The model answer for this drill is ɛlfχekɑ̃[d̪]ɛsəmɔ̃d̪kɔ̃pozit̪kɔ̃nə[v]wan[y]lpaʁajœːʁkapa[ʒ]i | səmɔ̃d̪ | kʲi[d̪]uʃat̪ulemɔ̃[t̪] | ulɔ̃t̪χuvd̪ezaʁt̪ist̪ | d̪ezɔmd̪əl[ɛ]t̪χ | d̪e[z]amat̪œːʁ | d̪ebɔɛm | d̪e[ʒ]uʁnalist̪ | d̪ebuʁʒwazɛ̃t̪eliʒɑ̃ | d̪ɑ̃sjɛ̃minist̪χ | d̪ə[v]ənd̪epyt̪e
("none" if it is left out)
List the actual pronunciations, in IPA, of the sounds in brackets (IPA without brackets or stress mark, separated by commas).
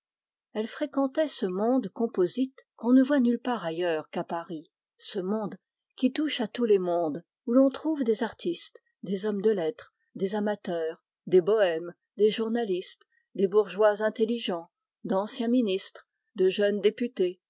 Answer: t̪, v, y, ʁ, t̪, d̪, ɛ, z, ʒ, ʒ